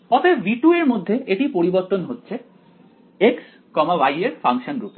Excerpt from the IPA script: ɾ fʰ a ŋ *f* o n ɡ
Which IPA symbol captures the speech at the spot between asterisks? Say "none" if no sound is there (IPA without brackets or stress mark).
ʃ